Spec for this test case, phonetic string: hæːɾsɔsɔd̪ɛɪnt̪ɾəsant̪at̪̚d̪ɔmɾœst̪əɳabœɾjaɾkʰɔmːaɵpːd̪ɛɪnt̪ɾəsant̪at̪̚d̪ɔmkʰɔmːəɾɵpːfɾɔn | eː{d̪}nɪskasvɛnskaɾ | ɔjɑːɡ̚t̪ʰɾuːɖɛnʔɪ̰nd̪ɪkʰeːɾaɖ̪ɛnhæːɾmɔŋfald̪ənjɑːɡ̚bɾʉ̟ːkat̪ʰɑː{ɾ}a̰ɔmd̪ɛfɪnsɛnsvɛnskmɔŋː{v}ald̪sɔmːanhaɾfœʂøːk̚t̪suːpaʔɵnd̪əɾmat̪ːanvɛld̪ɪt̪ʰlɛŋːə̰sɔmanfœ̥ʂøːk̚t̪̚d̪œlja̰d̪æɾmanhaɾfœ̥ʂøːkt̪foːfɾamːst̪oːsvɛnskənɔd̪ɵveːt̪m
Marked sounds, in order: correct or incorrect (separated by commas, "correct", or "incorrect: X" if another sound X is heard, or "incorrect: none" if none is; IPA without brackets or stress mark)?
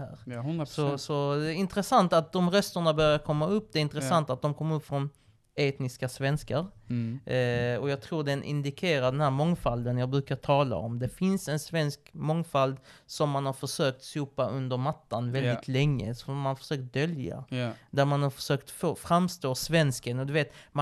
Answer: incorrect: t̪, incorrect: l, incorrect: f